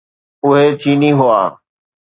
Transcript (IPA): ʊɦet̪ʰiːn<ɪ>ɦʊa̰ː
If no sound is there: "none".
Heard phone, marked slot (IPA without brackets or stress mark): i